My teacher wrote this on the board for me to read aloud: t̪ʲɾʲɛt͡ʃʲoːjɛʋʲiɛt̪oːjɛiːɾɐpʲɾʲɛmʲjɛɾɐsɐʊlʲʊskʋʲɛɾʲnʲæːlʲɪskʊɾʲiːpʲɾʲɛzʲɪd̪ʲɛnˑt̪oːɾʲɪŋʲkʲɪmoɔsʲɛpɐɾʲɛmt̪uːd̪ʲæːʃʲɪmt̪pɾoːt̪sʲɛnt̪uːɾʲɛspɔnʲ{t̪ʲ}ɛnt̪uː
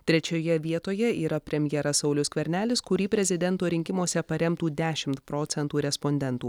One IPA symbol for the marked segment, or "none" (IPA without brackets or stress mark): d̪ʲ